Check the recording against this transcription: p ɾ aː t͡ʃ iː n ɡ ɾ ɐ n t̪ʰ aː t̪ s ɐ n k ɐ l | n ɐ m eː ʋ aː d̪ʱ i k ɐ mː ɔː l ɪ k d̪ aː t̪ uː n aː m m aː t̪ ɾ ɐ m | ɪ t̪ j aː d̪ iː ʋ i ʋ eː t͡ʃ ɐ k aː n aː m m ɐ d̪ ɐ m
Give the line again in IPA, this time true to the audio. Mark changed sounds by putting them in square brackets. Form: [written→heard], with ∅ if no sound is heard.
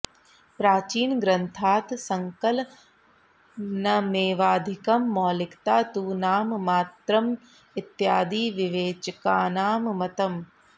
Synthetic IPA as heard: p ɾ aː t͡ʃ iː n ɡ ɾ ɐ n t̪ʰ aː t̪ s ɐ [n→ŋ] k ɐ l | n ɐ m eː ʋ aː d̪ʱ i k ɐ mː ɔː l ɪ k [d̪→t̪] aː t̪ uː n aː m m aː t̪ ɾ ɐ m | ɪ t̪ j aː d̪ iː ʋ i ʋ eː t͡ʃ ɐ k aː n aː m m ɐ [d̪→t̪] ɐ m